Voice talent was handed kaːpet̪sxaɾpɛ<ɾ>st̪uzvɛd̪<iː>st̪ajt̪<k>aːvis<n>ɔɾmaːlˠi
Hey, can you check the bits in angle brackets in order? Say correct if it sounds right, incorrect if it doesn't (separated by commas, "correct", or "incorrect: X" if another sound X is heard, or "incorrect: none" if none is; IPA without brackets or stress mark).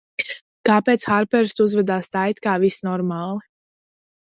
correct, incorrect: aː, correct, correct